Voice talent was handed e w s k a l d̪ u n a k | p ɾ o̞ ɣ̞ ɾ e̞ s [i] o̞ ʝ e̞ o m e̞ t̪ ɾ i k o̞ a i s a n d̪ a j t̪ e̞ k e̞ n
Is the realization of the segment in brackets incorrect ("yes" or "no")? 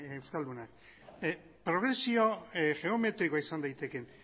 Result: no